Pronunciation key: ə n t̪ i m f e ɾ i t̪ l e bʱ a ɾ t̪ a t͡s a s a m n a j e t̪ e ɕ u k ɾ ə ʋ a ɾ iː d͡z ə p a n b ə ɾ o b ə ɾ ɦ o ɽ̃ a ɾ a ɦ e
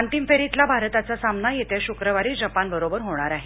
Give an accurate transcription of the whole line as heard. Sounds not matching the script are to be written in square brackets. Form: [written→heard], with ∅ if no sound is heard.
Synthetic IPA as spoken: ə n t̪ i m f e ɾ i t̪ l [e→a] bʱ a ɾ t̪ a t͡s a s a m n a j e t̪ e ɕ u k ɾ ə ʋ a ɾ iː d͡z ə p a n b ə ɾ o b ə ɾ ɦ o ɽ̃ a ɾ a ɦ e

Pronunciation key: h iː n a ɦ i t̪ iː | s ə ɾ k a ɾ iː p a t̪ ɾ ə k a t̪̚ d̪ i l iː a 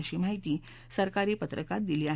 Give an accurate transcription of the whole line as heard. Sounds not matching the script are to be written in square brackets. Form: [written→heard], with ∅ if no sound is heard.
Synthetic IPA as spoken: [h→ɕ] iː [n→m] a ɦ i t̪ iː | s ə ɾ k a ɾ iː p [a→ə] t̪ ɾ ə k a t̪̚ d̪ i l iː a

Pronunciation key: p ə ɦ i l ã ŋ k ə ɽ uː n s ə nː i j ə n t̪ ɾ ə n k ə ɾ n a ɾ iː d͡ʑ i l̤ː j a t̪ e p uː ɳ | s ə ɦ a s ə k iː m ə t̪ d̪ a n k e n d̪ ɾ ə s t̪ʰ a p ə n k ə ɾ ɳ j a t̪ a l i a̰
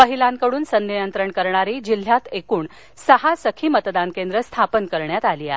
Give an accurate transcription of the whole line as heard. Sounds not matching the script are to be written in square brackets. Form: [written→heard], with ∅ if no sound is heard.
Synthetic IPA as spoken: p ə ɦ i l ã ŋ k ə ɽ uː n s ə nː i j ə n t̪ ɾ ə [n→ɳ] k ə ɾ [n→ɳ] a ɾ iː d͡ʑ i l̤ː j a t̪ e [p→k] uː ɳ | s ə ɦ a s ə [k→kʰ] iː m ə t̪ d̪ a n k e n d̪ ɾ ə s t̪ʰ a p ə n k ə ɾ ɳ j a t̪ a l i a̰

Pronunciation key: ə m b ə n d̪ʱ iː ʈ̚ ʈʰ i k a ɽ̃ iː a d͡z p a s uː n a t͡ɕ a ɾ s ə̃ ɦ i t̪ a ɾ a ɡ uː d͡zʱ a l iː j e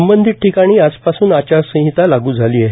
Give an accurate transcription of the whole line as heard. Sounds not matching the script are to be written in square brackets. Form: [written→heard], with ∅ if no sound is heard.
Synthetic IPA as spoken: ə m b ə n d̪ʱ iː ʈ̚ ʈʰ i k a ɽ̃ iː a d͡z p a s uː n a t͡ɕ a ɾ s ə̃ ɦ i t̪ a [ɾ→l] a ɡ uː d͡zʱ a l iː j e

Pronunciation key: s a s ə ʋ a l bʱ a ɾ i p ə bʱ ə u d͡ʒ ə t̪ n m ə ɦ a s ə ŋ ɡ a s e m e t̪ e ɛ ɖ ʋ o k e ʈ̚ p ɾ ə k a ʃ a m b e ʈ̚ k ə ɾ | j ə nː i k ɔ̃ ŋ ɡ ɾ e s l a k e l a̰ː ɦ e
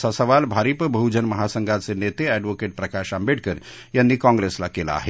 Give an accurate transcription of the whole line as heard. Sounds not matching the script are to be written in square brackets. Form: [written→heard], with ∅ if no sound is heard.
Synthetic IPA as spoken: s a s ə ʋ a l bʱ a ɾ i p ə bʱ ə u d͡ʒ ə [t̪→∅] n m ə ɦ a s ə ŋ ɡ a s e [m→n] e t̪ e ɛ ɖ ʋ o k e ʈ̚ p ɾ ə k a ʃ a m b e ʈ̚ k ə ɾ | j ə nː i k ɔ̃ ŋ ɡ ɾ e s l a k e l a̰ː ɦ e

